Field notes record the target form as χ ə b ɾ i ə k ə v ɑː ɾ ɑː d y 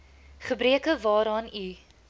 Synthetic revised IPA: χ ə b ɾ i ə k ə v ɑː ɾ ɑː n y